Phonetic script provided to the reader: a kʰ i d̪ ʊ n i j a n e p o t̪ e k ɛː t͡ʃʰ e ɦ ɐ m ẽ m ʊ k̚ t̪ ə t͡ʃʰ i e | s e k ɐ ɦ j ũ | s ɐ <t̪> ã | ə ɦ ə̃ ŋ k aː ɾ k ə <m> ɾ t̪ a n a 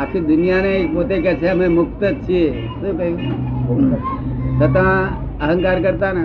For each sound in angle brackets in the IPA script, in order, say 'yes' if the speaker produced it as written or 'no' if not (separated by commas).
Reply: yes, no